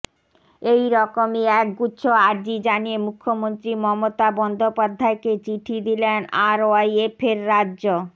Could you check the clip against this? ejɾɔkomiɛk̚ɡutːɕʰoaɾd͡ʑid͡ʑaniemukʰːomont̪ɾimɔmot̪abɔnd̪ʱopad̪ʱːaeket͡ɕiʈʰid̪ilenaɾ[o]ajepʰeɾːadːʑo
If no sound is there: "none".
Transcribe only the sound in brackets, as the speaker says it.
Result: o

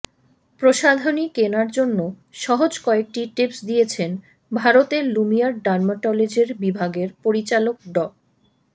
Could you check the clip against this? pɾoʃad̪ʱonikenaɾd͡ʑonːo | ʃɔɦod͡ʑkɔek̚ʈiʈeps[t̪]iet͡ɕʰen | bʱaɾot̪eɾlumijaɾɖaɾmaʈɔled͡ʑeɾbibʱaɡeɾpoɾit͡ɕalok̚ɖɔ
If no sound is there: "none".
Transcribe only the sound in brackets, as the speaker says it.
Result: d̪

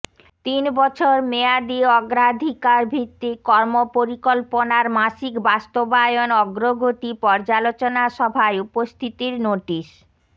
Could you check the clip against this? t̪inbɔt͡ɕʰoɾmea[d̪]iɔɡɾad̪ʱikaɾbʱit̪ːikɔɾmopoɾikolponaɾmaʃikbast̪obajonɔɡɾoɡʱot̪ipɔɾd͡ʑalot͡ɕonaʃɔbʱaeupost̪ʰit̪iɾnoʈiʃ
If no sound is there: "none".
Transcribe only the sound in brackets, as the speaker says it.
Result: d̪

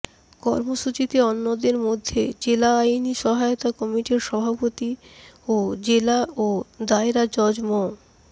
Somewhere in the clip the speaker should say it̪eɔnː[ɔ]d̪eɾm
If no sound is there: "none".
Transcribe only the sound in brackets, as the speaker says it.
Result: o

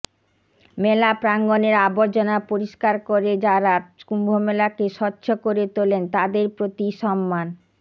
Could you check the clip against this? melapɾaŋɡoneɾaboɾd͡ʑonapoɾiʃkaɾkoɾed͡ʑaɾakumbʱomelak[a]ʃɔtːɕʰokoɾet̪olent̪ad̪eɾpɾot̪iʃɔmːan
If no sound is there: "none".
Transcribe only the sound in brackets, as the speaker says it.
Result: e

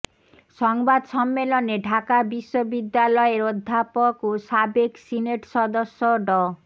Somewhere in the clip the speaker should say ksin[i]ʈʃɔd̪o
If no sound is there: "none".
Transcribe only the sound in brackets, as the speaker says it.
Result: e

